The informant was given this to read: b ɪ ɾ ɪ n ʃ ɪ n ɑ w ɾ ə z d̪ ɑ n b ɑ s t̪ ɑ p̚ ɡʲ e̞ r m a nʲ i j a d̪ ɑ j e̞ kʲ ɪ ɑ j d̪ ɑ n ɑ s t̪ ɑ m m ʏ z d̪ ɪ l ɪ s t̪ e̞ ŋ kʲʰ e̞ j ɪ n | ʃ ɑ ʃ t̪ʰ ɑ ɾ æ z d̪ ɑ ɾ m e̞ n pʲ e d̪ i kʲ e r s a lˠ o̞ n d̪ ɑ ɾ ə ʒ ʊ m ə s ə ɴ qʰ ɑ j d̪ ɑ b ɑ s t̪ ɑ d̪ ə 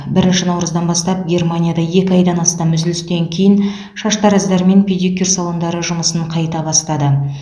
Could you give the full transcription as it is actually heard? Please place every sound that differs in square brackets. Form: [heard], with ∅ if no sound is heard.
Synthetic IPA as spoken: b ɪ ɾ ɪ n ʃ ɪ n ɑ w ɾ ə z d̪ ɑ n b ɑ s t̪ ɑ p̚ ɡʲ e̞ r m a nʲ i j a d̪ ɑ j e̞ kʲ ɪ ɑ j d̪ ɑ n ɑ s t̪ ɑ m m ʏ z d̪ ɪ l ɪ s t̪ e̞ ŋ kʲʰ e̞ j ɪ n | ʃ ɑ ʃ [t̪] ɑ ɾ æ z d̪ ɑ ɾ m e̞ n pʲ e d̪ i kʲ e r s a lˠ o̞ n d̪ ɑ ɾ ə ʒ ʊ m ə s ə ɴ qʰ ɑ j [t̪] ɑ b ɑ s t̪ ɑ d̪ ə

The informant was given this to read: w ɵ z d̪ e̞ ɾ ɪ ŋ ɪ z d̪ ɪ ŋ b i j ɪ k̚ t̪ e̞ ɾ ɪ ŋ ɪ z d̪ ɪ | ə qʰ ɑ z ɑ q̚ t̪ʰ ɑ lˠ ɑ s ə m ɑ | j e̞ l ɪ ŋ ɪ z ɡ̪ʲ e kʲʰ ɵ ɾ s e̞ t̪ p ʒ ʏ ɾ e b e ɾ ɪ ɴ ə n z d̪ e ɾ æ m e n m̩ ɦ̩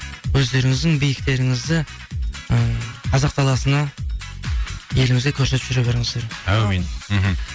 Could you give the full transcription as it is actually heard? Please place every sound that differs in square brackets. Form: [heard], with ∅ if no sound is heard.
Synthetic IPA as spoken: w ɵ z d̪ e̞ ɾ ɪ ŋ ɪ z d̪ ɪ ŋ b i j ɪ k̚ t̪ e̞ ɾ ɪ ŋ ɪ z d̪ ɪ | ə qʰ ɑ z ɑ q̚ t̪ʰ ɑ lˠ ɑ s ə [n] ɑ | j e̞ l ɪ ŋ ɪ z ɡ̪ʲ e kʲʰ ɵ ɾ s e̞ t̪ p ʒ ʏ ɾ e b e ɾ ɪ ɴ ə [∅] z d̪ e ɾ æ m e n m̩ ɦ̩

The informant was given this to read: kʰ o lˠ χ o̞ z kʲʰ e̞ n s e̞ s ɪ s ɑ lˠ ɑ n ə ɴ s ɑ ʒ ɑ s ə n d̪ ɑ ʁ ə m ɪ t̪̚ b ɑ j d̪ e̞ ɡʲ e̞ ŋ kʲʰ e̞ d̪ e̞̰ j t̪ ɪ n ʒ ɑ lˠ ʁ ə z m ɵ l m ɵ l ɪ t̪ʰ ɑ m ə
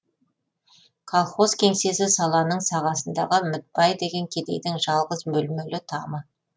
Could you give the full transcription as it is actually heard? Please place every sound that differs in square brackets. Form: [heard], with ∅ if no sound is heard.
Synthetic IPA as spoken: kʰ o lˠ χ o̞ z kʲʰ e̞ [ŋ] s e̞ s ɪ s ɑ lˠ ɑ n ə ɴ s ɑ [ʁ] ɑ s ə n d̪ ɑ ʁ ə m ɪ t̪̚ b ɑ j d̪ e̞ ɡʲ e̞ ŋ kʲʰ e̞ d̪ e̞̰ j [d̪] ɪ [ŋ] ʒ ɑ lˠ ʁ ə z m ɵ l m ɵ l ɪ t̪ʰ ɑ m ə

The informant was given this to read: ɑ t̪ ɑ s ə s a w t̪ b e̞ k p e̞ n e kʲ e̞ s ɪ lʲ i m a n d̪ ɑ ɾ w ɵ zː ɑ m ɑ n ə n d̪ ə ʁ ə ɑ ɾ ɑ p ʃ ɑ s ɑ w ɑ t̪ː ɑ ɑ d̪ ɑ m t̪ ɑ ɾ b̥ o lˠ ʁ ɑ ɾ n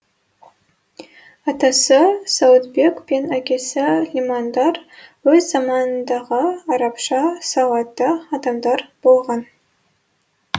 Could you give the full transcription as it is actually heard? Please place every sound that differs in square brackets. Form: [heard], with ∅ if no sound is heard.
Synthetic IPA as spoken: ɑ t̪ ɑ s ə s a w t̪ b e̞ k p e̞ n [æ] kʲ e̞ s ɪ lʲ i m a n d̪ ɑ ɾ w ɵ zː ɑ m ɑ n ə n d̪ [ɑ] ʁ ə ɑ ɾ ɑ p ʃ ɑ s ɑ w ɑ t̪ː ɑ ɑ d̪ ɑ m [d̪] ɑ ɾ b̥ o lˠ ʁ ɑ [∅] n

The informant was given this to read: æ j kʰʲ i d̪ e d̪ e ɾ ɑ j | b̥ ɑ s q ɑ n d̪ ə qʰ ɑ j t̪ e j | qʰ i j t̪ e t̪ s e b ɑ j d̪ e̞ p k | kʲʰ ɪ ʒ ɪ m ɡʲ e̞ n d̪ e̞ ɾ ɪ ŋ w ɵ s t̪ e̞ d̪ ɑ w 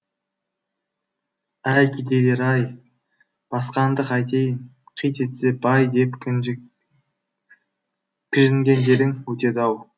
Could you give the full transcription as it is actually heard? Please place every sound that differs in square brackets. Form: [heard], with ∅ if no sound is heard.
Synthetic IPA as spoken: æ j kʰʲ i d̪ e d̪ e ɾ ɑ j | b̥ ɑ s q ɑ n d̪ ə [q] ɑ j t̪ e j | qʰ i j t̪ e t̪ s e b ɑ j d̪ e̞ p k | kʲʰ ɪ ʒ ɪ [ŋ] ɡʲ e̞ n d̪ e̞ ɾ ɪ ŋ w ɵ [∅] t̪ e̞ d̪ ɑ w

